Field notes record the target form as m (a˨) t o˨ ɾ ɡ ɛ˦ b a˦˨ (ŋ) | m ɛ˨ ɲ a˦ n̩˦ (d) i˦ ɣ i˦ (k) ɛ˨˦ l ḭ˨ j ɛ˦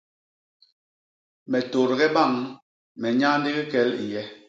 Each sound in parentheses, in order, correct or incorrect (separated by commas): incorrect, correct, correct, correct